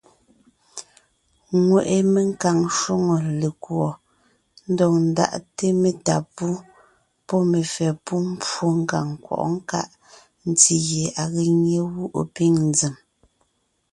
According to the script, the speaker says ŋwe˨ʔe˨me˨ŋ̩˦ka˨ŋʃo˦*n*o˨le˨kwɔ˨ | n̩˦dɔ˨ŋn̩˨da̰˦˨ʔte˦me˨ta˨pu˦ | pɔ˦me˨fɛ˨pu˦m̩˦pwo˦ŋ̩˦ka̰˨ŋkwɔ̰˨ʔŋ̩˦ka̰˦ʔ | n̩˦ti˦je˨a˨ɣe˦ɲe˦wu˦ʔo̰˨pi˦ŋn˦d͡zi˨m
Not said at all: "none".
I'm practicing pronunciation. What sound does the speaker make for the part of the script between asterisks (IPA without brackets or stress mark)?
ŋ